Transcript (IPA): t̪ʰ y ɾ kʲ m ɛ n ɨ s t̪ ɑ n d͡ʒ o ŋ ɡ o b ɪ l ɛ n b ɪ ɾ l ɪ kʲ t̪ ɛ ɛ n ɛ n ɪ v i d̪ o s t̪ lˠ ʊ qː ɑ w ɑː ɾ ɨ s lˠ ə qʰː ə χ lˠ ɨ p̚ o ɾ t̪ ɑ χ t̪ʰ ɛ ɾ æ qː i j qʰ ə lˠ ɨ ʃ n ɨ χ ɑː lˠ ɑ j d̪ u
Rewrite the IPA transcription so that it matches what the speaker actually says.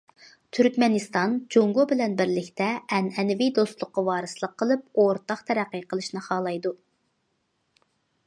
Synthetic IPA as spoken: t̪ʰ y ɾ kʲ m ɛ n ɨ s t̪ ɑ n d͡ʒ o ŋ ɡ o b ɪ l ɛ n b ɪ ɾ l ɪ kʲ t̪ ɛ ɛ n ɛ n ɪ v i d̪ o s t̪ lˠ ʊ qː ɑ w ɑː ɾ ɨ s lˠ ə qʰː ə lˠ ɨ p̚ o ɾ t̪ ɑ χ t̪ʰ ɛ ɾ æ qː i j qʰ ə lˠ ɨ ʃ n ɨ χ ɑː lˠ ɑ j d̪ u